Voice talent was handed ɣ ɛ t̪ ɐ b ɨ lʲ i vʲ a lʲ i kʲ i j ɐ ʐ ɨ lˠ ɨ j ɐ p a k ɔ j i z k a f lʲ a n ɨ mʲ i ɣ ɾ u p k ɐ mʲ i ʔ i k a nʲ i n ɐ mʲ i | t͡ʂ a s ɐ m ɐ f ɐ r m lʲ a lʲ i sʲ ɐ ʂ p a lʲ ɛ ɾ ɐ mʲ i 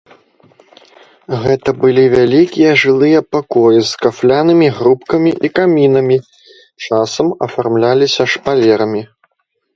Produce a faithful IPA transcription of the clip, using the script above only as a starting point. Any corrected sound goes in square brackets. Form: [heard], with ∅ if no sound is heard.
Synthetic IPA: ɣ ɛ t̪ ɐ b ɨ lʲ i vʲ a lʲ i kʲ i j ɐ ʐ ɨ lˠ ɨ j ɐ p a k ɔ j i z k a f lʲ a n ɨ mʲ i ɣ ɾ u p k ɐ mʲ i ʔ i k a [mʲ] i n ɐ mʲ i | t͡ʂ a s ɐ m ɐ f [a] r m lʲ a lʲ i sʲ ɐ ʂ p a lʲ ɛ ɾ ɐ mʲ i